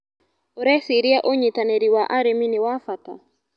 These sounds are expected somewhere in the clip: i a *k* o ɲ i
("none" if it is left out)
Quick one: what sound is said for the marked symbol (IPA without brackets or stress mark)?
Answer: ʔ